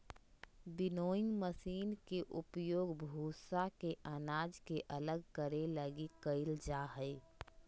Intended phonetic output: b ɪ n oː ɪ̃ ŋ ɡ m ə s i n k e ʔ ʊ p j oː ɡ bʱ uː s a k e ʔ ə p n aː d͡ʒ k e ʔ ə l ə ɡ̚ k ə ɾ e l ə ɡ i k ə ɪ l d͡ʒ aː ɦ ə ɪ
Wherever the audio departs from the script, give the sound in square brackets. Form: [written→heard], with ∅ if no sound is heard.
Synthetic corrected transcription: b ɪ n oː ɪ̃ ŋ ɡ m ə s [i→iː] n k e ʔ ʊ p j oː ɡ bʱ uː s a k e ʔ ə [p→∅] n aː d͡ʒ k e ʔ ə l ə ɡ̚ k ə ɾ e l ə ɡ i k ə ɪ l d͡ʒ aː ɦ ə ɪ